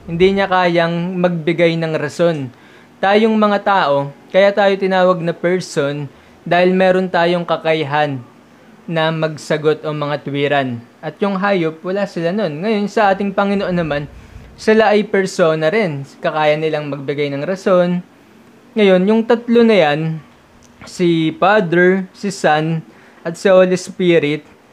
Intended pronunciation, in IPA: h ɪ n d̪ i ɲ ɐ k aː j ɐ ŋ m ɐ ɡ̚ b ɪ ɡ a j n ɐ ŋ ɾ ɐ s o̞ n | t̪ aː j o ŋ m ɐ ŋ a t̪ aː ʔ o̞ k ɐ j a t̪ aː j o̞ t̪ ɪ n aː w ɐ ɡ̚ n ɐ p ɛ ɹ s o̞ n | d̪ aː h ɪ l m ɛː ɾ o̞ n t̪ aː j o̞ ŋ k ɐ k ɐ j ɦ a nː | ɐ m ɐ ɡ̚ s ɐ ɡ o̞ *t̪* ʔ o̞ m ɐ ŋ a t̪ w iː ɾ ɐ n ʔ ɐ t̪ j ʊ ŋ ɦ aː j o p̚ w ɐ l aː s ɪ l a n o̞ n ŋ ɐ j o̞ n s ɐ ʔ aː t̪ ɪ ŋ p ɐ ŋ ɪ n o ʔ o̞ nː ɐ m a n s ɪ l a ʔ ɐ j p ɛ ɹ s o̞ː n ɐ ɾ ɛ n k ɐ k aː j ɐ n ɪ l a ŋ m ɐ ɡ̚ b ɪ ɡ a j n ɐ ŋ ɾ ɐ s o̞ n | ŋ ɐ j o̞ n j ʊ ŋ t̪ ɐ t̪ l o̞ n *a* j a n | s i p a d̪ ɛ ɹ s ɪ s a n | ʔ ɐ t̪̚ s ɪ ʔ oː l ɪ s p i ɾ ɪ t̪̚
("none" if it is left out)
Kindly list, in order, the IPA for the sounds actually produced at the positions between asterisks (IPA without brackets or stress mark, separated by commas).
t̪, ɐ